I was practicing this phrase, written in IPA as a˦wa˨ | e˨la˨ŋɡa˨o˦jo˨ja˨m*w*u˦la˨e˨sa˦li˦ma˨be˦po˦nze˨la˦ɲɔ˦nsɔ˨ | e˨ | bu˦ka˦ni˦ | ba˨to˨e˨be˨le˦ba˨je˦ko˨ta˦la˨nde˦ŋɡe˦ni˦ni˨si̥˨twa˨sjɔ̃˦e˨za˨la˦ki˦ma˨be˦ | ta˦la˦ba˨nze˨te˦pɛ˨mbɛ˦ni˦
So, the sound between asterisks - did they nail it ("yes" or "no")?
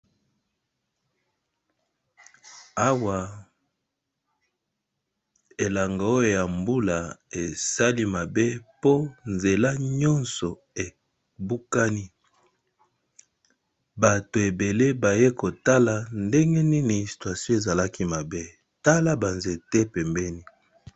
no